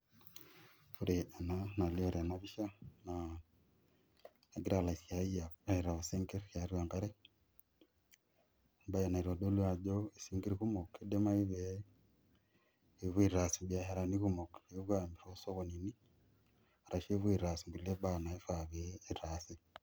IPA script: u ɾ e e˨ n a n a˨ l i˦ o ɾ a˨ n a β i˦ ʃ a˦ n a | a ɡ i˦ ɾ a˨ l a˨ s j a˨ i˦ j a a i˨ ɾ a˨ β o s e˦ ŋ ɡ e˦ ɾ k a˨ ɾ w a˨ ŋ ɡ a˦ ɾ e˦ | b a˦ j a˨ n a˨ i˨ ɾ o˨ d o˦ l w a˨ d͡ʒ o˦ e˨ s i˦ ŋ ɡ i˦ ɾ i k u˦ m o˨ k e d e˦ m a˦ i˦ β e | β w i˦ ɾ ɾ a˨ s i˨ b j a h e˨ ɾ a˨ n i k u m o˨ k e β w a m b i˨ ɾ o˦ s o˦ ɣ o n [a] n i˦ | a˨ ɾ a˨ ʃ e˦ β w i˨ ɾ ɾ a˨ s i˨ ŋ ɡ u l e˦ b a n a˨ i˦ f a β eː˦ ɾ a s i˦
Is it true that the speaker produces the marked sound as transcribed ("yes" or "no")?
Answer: no